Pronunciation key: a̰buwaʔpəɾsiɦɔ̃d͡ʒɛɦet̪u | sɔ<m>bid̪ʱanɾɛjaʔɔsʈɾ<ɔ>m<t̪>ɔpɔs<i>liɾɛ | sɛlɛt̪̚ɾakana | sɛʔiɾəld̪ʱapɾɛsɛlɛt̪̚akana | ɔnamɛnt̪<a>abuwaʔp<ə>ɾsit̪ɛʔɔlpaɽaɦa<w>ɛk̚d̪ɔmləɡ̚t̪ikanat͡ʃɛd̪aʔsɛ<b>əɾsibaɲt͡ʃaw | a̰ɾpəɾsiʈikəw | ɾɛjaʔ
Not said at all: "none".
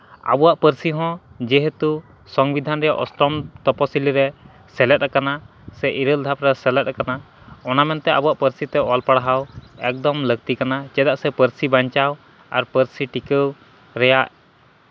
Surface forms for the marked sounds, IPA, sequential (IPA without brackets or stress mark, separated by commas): ŋ, ɔ, t̪, i, ɛ, ə, w, p